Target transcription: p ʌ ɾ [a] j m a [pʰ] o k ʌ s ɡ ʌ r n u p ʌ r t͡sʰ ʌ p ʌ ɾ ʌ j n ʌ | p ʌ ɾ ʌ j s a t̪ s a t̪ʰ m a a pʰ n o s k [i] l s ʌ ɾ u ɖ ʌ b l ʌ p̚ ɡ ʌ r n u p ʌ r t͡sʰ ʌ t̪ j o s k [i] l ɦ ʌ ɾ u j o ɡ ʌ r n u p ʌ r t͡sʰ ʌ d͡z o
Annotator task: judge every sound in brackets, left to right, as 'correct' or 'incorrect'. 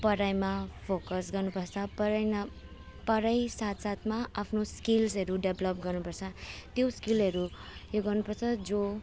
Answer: correct, correct, correct, correct

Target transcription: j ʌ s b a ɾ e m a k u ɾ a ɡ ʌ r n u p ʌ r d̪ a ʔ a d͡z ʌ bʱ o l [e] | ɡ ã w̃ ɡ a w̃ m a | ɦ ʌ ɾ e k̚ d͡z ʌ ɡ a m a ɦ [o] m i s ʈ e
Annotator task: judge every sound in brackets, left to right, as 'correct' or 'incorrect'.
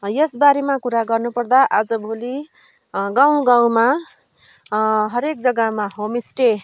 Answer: incorrect, correct

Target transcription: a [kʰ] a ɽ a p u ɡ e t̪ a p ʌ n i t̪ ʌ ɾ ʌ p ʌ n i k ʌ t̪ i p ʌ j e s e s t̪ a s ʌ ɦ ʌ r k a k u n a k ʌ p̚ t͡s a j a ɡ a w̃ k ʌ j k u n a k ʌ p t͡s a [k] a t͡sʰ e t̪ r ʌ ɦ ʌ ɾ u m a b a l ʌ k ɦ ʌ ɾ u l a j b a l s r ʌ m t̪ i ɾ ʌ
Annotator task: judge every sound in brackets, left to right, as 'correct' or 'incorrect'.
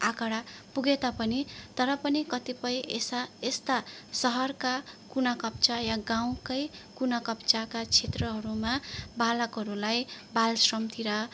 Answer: incorrect, correct

